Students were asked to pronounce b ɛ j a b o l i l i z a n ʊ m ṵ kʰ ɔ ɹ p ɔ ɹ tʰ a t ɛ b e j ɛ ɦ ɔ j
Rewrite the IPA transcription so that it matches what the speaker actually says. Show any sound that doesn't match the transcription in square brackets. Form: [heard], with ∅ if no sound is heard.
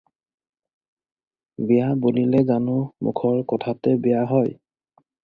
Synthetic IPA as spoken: b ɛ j a b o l i l [ɛ] z a n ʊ m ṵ kʰ ɔ ɹ [k] ɔ [∅] tʰ a t ɛ b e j [a] ɦ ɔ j